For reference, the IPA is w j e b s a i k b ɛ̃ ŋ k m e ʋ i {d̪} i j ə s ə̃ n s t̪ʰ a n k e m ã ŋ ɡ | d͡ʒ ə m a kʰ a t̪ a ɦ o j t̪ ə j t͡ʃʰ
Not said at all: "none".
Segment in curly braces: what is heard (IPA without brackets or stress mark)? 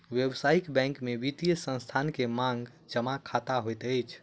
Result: t̪